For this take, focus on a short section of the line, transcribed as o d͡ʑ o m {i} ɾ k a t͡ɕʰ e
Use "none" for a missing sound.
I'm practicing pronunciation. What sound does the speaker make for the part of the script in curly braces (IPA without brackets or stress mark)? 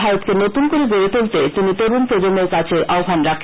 e